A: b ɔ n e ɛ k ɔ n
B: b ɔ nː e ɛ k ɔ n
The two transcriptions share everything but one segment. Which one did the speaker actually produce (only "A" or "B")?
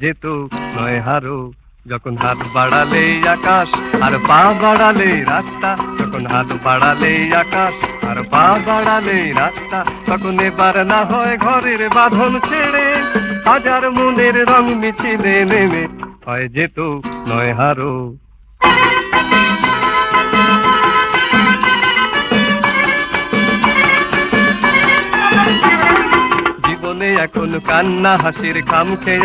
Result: A